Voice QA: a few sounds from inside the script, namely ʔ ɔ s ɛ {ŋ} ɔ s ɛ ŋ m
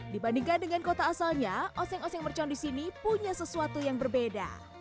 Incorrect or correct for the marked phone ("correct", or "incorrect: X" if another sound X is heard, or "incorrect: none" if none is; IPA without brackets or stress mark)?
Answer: correct